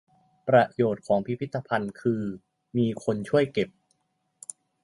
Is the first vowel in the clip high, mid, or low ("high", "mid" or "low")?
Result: low